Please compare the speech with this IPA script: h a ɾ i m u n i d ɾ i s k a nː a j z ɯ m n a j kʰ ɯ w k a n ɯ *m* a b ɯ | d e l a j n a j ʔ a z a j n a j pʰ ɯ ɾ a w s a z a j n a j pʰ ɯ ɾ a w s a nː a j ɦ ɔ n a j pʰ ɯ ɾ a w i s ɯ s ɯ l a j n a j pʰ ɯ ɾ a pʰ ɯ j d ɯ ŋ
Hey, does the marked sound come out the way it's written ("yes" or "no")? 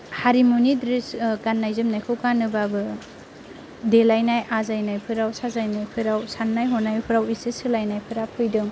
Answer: no